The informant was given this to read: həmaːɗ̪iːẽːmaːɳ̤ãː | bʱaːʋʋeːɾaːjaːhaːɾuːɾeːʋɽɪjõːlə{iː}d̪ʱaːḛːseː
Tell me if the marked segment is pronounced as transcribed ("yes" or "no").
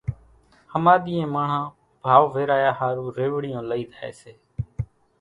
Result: yes